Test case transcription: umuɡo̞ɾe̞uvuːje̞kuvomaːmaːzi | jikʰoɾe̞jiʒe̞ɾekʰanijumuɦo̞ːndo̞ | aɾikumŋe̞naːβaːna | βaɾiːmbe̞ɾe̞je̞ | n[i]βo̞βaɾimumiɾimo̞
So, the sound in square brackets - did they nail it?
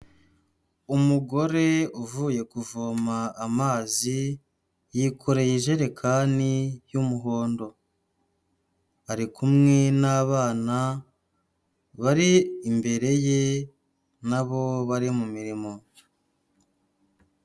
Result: no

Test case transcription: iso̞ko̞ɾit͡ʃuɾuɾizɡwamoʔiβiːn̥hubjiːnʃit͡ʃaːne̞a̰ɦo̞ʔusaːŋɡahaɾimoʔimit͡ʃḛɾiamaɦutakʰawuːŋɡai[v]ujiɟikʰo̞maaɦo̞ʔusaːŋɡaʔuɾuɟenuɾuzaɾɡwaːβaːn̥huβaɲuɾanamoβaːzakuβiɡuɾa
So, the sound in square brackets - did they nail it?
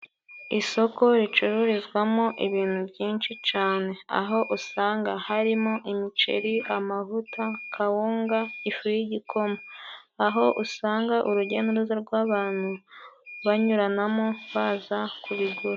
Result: no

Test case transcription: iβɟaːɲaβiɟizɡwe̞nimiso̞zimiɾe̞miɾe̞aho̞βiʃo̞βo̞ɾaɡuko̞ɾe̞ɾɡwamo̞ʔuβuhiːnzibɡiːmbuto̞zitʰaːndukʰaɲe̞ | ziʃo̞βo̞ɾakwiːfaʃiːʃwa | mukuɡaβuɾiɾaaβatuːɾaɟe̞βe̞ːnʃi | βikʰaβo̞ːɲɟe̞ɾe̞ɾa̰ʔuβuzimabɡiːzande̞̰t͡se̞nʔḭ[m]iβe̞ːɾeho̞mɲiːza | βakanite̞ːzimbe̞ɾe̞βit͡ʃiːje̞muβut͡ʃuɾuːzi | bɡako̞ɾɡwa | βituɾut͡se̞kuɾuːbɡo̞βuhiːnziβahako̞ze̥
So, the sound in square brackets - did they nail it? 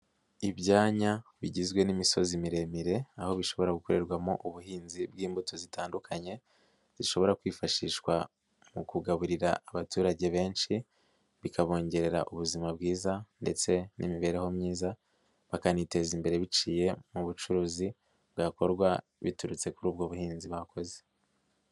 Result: yes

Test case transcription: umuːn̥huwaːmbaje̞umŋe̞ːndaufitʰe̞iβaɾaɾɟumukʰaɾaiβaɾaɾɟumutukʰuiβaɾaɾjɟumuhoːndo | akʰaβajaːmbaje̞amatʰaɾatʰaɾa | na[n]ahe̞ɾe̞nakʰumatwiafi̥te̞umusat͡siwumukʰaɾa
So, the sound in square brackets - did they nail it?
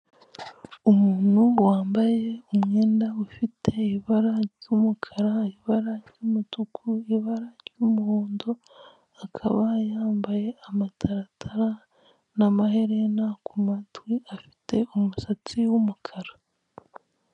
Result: no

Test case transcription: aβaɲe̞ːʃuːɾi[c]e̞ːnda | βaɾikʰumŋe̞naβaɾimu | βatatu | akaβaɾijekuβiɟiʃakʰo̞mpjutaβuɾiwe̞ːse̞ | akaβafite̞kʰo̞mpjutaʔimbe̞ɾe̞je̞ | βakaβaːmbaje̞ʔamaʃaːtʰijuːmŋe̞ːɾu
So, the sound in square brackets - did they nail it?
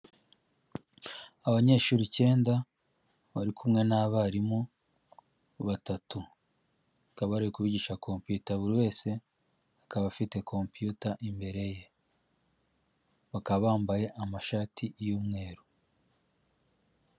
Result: yes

